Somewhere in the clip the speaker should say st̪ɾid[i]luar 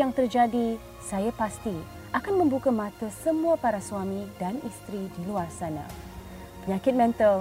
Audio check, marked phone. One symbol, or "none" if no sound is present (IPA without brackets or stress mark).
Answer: i